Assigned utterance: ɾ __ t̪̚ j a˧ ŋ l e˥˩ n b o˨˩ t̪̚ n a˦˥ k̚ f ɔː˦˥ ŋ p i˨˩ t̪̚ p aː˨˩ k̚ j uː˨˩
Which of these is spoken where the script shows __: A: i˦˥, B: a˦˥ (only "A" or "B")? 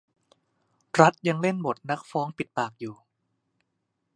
B